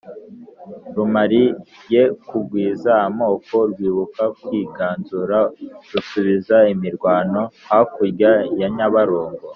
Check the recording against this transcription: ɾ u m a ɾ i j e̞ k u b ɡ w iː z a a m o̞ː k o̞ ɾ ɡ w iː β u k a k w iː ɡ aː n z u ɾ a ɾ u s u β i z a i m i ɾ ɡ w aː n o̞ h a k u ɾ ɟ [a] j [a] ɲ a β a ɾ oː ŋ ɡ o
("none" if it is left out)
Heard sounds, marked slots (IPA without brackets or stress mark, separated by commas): a, a